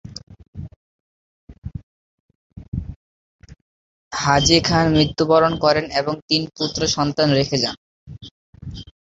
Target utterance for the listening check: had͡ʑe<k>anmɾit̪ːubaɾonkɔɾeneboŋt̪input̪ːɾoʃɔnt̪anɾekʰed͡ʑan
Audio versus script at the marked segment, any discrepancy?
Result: yes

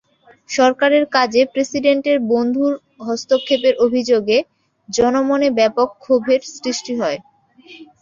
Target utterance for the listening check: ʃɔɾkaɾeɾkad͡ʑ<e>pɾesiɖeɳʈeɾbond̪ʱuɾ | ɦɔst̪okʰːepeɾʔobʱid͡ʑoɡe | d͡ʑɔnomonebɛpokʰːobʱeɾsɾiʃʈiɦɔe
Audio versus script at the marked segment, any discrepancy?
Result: no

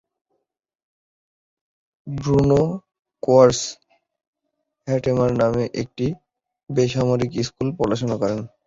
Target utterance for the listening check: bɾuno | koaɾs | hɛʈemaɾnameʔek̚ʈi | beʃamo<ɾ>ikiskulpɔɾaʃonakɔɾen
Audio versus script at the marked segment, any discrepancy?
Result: no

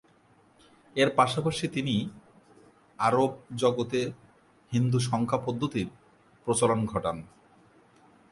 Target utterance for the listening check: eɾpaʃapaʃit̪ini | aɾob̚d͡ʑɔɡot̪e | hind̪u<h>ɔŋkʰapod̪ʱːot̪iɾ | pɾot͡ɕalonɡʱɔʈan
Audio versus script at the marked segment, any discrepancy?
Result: yes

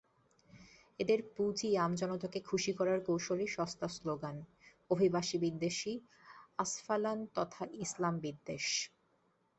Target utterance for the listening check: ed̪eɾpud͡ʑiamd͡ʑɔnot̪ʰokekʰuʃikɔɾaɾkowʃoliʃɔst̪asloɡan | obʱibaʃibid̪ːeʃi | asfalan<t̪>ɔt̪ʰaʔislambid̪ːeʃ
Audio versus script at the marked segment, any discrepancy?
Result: no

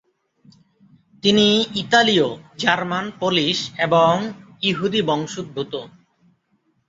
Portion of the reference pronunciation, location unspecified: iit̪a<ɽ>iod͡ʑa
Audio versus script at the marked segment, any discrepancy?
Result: yes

